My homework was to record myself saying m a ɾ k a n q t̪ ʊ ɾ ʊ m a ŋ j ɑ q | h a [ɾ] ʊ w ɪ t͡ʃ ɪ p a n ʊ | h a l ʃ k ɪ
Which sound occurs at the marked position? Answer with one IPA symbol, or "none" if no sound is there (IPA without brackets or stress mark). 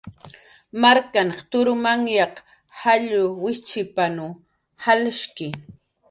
ʎ